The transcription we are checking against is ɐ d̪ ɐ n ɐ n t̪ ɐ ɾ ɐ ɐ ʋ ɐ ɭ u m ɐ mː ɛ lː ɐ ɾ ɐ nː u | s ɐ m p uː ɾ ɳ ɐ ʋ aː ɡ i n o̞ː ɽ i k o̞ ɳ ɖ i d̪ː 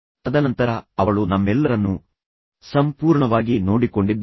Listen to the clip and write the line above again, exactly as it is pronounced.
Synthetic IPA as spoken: ɐ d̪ ɐ n ɐ n t̪ ɐ ɾ ɐ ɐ ʋ ɐ ɭ u n ɐ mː ɛ lː ɐ ɾ ɐ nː u | s ɐ m p uː ɾ ɳ ɐ ʋ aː ɡ i n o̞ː ɽ i k o̞ ɳ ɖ i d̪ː

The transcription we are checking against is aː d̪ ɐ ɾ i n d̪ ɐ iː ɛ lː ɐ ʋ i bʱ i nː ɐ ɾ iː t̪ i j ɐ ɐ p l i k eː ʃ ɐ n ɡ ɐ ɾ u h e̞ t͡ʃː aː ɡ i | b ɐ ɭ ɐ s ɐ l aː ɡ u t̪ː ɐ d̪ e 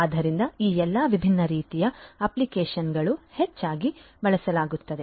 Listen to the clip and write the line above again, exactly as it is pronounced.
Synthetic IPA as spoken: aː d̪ ɐ ɾ i n d̪ ɐ iː ɛ lː ɐ ʋ i bʱ i nː ɐ ɾ iː t̪ i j ɐ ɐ p l i k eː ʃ ɐ n ɡ ɐ ɭ u h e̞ t͡ʃː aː ɡ i | b ɐ ɭ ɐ s ɐ l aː ɡ u t̪ː ɐ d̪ e

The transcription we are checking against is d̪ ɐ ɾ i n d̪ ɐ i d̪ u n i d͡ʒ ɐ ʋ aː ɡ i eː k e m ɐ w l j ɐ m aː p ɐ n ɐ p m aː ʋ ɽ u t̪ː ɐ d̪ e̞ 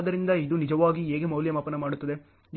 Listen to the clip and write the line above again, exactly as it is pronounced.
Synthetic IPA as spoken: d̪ ɐ ɾ i n d̪ ɐ i d̪ u n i d͡ʒ ɐ ʋ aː ɡ i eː ɡ e m ɐ w l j ɐ m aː p ɐ n ɐ m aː ɽ u t̪ː ɐ d̪ e̞

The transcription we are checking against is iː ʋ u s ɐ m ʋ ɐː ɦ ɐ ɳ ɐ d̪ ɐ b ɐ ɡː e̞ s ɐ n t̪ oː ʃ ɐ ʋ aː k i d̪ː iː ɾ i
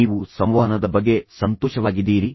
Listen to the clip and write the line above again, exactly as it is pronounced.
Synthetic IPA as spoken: iː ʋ u s ɐ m ʋ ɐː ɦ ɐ n ɐ d̪ ɐ b ɐ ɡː e̞ s ɐ n t̪ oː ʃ ɐ ʋ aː ɡ i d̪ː iː ɾ i

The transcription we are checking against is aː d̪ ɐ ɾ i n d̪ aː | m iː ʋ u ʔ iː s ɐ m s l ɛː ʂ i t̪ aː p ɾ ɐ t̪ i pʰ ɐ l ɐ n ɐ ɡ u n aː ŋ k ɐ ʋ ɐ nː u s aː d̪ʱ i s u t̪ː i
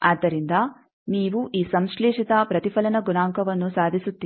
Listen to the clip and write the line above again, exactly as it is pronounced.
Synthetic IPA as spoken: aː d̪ ɐ ɾ i n d̪ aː | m iː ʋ u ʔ iː s ɐ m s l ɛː ʂ i t̪ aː p ɾ ɐ t̪ i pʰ ɐ l ɐ n ɐ ɡ u n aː ŋ k ɐ ʋ ɐ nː u s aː d̪ʱ i s u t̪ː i

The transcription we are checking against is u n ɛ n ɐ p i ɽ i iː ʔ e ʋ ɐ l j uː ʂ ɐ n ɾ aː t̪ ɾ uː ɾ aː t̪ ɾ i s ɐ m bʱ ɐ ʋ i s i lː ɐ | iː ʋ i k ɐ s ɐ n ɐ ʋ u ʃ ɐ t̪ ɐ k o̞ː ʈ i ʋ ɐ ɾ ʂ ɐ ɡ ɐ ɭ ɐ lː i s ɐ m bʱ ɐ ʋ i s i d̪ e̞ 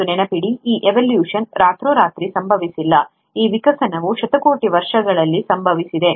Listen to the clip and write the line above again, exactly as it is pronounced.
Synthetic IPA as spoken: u n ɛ n ɐ p i ɽ i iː ʔ e ʋ ɐ l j uː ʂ ɐ n ɾ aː t̪ ɾ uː ɾ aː t̪ ɾ i s ɐ m bʱ ɐ ʋ i s i lː ɐ | iː ʋ i k ɐ s ɐ n ɐ ʋ u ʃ ɐ t̪ ɐ k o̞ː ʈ i ʋ ɐ ɾ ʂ ɐ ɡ ɐ ɭ ɐ lː i s ɐ m bʱ ɐ ʋ i s i d̪ e̞

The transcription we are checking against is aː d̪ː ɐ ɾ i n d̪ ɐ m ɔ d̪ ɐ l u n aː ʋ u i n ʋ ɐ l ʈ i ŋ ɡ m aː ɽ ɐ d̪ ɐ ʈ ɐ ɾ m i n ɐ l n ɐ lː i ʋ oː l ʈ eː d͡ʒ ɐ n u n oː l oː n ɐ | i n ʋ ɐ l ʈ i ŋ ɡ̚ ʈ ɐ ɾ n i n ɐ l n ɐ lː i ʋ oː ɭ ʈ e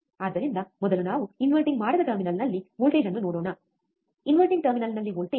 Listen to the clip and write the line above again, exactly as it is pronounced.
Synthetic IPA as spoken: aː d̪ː ɐ ɾ i n d̪ ɐ m ɔ d̪ ɐ l u n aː ʋ u i n ʋ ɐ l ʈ i ŋ ɡ m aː ɽ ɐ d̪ ɐ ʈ ɐ ɾ m i n ɐ l n ɐ lː i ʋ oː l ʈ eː d͡ʒ ɐ nː u n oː ɽ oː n ɐ | i n ʋ ɐ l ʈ i ŋ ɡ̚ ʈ ɐ ɾ m i n ɐ l n ɐ lː i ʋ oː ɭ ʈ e

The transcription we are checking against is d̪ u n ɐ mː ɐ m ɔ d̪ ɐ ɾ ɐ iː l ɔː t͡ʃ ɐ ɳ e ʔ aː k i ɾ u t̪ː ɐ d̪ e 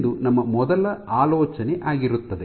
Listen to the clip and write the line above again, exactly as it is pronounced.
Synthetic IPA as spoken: d̪ u n ɐ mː ɐ m ɔ d̪ ɐ l ɐ aː l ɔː t͡ʃ ɐ n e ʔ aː ɡ i ɾ u t̪ː ɐ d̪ e

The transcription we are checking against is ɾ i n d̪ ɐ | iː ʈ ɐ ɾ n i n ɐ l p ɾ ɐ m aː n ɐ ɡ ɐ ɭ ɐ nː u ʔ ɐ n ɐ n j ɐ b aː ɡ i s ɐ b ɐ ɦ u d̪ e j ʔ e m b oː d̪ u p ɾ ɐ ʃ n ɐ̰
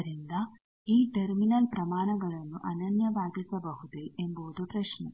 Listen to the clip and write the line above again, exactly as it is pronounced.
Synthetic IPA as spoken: ɾ i n d̪ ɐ | iː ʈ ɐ ɾ m i n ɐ l p ɾ ɐ m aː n ɐ ɡ ɐ ɭ ɐ nː u ʔ ɐ n ɐ n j ɐ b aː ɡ i s ɐ b ɐ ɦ u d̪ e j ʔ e m b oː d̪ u p ɾ ɐ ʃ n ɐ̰

